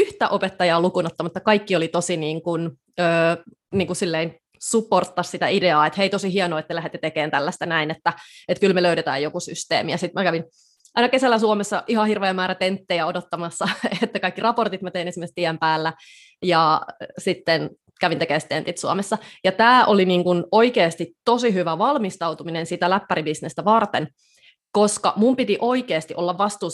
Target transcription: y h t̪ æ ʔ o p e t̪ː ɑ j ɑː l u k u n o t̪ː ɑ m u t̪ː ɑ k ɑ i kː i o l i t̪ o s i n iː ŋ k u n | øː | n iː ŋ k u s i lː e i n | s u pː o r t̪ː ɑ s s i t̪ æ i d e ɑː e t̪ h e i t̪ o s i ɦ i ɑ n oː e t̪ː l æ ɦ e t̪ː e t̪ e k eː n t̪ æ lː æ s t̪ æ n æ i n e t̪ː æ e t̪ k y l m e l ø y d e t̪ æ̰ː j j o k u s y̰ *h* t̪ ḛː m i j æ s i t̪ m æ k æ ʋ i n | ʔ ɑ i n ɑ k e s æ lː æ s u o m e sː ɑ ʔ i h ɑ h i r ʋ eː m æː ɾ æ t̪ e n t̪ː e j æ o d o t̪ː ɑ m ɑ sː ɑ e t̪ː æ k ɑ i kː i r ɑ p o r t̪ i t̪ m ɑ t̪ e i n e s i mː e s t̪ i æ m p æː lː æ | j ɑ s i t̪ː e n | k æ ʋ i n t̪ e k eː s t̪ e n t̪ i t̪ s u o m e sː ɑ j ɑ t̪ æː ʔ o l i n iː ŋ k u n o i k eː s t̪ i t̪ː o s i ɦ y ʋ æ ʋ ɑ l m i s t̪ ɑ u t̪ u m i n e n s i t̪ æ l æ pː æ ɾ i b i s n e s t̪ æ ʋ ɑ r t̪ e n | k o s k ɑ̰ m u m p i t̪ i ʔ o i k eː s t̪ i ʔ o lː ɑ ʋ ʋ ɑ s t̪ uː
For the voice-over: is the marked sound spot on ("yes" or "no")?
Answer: no